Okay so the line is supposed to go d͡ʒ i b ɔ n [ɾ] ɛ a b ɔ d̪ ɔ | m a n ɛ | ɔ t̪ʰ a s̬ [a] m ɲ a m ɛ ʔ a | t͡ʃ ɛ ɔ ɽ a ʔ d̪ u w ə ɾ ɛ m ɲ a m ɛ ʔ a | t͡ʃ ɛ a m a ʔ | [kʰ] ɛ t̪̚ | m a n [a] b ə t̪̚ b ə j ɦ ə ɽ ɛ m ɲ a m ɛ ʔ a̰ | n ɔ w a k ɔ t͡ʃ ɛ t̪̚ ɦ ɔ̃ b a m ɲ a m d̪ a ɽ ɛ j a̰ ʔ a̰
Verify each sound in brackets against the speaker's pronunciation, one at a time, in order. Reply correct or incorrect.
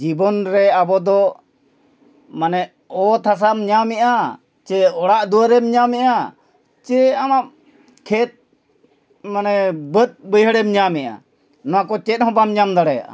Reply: correct, correct, correct, incorrect

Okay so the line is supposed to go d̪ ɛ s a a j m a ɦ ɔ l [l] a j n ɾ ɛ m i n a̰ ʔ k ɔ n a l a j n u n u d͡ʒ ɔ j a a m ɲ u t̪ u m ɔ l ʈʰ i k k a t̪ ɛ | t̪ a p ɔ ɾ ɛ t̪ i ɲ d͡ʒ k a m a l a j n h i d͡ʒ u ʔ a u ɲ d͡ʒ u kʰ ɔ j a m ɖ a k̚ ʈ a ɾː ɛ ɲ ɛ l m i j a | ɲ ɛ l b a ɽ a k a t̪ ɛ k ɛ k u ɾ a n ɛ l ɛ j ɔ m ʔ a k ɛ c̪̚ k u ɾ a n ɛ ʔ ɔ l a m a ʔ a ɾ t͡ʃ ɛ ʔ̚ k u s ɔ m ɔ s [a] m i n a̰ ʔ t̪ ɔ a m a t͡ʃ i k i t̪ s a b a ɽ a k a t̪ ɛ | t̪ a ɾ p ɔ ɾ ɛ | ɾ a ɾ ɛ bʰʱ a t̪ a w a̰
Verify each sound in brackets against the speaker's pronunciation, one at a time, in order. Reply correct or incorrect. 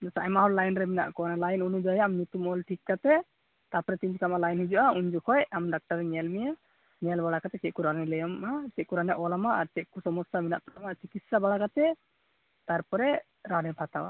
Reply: correct, correct

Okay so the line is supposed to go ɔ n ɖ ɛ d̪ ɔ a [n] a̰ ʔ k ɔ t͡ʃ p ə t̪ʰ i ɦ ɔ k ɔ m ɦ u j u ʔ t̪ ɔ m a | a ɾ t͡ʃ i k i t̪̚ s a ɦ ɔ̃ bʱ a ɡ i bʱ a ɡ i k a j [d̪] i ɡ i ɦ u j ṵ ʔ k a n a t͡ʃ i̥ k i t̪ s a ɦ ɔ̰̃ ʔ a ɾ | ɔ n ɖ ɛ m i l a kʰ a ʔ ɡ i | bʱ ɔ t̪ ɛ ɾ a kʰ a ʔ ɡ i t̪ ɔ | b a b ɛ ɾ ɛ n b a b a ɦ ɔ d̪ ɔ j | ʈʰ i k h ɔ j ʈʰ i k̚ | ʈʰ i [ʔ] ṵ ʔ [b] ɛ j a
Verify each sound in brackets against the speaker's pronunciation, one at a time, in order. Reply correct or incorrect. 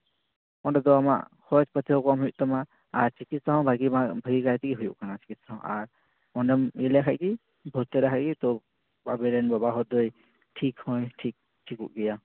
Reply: incorrect, incorrect, incorrect, incorrect

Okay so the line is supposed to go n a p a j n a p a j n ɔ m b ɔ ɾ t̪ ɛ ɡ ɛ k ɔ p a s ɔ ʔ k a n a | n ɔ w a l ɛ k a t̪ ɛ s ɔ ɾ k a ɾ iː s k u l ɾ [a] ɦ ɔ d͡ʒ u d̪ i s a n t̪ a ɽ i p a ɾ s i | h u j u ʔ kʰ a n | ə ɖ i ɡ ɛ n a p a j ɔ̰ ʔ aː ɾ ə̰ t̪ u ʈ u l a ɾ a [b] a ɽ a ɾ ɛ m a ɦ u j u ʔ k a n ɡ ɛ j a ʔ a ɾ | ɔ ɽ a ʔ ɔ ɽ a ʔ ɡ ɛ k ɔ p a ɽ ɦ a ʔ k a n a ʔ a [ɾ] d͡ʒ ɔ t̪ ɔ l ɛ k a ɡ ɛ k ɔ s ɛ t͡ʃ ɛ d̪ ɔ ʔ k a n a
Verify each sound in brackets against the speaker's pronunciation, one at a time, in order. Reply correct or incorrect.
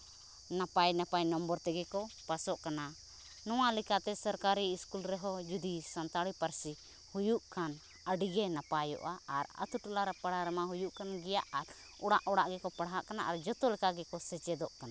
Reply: incorrect, incorrect, correct

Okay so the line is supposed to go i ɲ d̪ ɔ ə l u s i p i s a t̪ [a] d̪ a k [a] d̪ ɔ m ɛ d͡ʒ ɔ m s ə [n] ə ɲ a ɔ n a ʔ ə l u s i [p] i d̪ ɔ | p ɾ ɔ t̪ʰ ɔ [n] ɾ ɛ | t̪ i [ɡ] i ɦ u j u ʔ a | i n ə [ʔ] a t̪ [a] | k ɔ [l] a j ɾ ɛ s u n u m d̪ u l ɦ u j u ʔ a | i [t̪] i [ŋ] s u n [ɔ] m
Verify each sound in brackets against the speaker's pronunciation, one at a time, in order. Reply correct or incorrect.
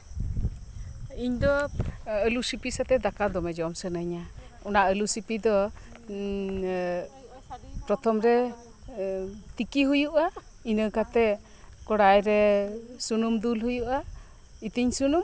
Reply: incorrect, correct, correct, correct, incorrect, incorrect, incorrect, incorrect, incorrect, correct, incorrect, incorrect

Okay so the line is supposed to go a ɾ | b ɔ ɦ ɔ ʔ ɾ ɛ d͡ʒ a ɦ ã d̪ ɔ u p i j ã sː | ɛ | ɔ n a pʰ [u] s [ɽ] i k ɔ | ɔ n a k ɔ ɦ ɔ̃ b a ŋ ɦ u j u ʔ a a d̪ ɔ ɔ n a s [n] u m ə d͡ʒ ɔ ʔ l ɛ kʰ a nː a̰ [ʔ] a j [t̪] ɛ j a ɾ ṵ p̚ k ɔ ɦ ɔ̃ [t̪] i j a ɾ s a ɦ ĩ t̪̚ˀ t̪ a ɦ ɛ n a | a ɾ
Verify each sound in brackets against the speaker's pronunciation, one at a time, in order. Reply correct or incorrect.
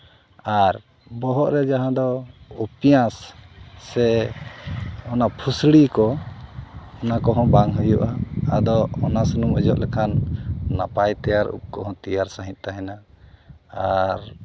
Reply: correct, correct, correct, incorrect, correct, correct

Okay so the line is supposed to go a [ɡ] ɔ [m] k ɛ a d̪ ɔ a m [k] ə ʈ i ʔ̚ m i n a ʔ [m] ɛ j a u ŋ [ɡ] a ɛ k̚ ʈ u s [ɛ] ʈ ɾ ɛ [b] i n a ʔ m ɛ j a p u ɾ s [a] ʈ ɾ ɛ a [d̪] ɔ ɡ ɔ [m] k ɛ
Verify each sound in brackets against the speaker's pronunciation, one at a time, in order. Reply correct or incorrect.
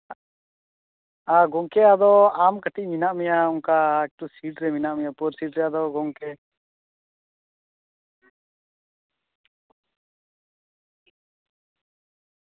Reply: correct, incorrect, correct, correct, incorrect, incorrect, incorrect, incorrect, correct, incorrect

